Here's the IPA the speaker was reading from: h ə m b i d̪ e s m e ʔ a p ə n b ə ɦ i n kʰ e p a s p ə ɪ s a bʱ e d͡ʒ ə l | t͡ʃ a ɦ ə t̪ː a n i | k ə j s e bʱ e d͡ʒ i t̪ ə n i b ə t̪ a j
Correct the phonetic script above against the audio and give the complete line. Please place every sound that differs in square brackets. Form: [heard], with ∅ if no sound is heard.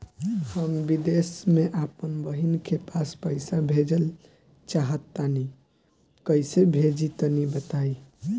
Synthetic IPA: h ə m b i d̪ e s m e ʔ a p ə n b ə ɦ i n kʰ e p a s p ə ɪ s a bʱ e d͡ʒ ə l | t͡ʃ a ɦ ə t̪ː a n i | k ə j s e bʱ e d͡ʒ i t̪ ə n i b ə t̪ a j

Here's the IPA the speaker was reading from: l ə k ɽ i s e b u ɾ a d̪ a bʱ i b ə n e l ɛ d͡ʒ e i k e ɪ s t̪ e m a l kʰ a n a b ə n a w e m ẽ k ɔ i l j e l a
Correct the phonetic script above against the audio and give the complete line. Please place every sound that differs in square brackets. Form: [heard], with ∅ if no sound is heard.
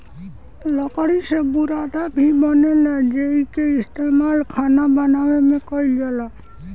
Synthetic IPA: l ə k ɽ i s e b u ɾ a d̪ a bʱ i b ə n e l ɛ d͡ʒ e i k e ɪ s t̪ e m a l kʰ a n a b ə n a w e m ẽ k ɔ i l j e l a

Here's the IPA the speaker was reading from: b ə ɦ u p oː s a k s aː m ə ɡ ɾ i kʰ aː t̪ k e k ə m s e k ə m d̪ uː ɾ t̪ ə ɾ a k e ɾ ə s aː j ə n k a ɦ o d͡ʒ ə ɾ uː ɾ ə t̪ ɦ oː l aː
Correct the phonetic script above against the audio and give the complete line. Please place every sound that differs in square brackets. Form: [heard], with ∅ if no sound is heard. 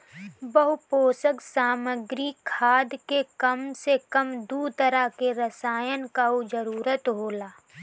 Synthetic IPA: b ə ɦ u p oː s [ə] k s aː m ə ɡ ɾ i kʰ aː [d̪] k e k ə m s e k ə m d̪ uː [∅] t̪ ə ɾ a k e ɾ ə s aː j ə n k a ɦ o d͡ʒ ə ɾ uː ɾ ə t̪ ɦ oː l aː

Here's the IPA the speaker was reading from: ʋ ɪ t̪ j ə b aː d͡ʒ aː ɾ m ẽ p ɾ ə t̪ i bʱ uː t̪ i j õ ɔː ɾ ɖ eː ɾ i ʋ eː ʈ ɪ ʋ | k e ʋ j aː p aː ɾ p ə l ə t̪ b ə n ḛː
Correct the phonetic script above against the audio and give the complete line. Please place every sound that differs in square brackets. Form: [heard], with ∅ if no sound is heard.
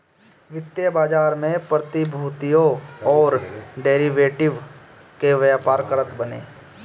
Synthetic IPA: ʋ ɪ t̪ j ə b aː d͡ʒ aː ɾ m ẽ p ɾ ə t̪ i bʱ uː t̪ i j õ ɔː ɾ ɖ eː ɾ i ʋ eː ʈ ɪ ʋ | k e ʋ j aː p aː ɾ [k] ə [ɾ] ə t̪ b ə n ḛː

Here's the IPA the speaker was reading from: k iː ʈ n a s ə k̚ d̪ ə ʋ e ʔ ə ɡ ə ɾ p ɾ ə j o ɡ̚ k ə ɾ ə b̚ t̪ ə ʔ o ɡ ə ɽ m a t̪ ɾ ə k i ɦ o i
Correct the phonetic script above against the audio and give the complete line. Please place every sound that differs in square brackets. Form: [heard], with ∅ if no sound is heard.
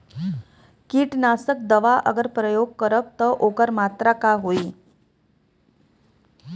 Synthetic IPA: k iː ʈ n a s ə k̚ d̪ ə ʋ [a] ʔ ə ɡ ə ɾ p ɾ ə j o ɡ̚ k ə ɾ ə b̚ t̪ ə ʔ o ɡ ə [ɾ] m a t̪ ɾ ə k [a] ɦ o i

